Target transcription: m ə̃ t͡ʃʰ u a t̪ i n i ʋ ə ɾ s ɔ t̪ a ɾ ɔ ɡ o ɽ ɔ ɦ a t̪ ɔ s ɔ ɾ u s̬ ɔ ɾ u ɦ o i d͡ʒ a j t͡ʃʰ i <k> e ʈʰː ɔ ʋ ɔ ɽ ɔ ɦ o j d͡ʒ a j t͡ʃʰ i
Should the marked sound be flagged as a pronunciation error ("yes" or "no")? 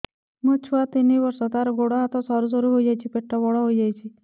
yes